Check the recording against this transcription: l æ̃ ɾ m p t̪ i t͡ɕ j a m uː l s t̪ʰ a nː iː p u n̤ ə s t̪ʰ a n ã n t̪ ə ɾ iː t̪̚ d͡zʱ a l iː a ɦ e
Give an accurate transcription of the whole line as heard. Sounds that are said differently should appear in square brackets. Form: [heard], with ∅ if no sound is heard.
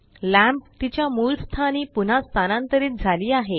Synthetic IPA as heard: l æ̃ [∅] m p t̪ i t͡ɕ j a m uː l s t̪ʰ a [n] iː p u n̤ [a] s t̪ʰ a n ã n t̪ ə ɾ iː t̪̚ d͡zʱ a l iː a ɦ e